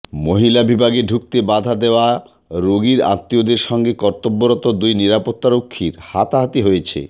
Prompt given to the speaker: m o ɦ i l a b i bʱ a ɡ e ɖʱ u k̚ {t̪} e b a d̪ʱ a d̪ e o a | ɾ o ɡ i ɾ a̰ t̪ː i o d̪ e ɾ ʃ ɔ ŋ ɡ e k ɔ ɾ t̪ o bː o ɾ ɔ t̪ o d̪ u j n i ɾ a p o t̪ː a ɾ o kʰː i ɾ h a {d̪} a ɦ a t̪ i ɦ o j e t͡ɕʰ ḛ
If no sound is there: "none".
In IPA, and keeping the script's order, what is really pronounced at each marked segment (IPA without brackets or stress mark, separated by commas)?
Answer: t̪, t̪